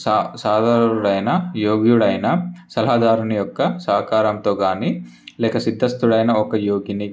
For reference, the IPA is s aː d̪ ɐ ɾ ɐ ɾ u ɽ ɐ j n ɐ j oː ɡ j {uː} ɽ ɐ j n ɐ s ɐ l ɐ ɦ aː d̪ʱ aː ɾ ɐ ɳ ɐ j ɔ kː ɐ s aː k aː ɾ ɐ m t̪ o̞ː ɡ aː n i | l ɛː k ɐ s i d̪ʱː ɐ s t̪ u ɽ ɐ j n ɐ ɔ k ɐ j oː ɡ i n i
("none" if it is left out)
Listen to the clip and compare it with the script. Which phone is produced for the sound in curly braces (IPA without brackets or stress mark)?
u